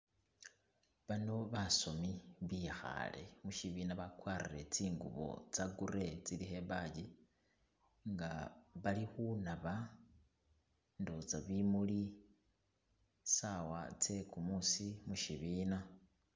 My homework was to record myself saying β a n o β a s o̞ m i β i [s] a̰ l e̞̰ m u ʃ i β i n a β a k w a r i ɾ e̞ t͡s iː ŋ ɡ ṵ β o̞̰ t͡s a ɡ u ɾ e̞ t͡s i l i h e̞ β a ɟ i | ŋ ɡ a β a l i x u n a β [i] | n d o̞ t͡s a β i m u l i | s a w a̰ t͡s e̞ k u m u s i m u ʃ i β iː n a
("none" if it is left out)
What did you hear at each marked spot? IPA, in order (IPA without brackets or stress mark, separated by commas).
x, a